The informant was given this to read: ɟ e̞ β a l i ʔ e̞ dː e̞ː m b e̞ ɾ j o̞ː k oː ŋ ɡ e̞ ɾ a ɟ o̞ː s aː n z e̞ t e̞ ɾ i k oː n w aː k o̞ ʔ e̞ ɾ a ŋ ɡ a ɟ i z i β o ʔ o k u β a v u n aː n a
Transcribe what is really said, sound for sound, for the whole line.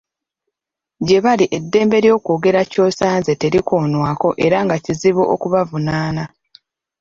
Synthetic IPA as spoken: ɟ e̞ β a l i ʔ e̞ dː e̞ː m b e̞ ɾ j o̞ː k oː ɡ e̞ ɾ a c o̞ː s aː n z e̞ t e̞ ɾ i k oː n w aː k o̞ ʔ e̞ ɾ a ŋ ɡ a c i z i β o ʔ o k u β a v u n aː n a